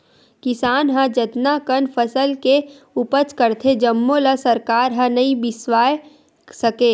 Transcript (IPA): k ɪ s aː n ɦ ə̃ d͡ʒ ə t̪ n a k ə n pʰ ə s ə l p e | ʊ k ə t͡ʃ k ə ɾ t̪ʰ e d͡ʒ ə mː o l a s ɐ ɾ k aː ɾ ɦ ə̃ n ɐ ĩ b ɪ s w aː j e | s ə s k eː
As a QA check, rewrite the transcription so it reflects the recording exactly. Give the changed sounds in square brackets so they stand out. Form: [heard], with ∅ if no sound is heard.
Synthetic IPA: k ɪ s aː n ɦ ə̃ d͡ʒ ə t̪ n a k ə n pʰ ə s ə l [k] e | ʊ [p] ə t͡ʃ k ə ɾ t̪ʰ e d͡ʒ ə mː o l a s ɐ ɾ k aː ɾ ɦ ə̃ n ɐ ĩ b ɪ s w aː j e | s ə [∅] k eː